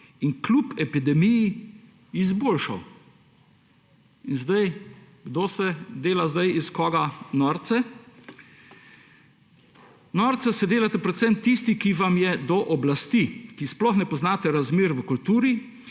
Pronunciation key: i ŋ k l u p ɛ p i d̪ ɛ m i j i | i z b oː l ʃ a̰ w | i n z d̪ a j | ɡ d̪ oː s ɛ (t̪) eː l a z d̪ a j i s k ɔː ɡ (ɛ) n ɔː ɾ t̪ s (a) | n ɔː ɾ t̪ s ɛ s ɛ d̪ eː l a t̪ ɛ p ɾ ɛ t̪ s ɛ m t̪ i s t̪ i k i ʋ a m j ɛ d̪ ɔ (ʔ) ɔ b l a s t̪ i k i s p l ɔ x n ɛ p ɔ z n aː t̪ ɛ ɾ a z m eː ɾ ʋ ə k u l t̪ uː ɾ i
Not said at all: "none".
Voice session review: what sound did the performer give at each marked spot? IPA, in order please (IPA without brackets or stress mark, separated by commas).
d̪, a, ɛ, ʔ